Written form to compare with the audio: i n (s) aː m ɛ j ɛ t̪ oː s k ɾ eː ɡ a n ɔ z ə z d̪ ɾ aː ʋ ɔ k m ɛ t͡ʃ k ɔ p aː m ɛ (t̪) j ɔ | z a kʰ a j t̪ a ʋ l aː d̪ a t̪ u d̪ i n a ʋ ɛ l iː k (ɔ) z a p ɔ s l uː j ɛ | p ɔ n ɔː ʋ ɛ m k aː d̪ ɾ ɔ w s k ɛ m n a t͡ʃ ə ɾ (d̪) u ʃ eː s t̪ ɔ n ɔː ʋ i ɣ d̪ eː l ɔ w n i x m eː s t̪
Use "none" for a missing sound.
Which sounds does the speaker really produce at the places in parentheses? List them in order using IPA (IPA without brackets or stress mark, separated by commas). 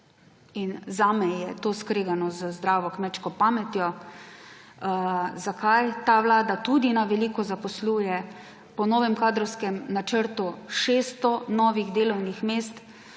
z, t̪, ɔ, t̪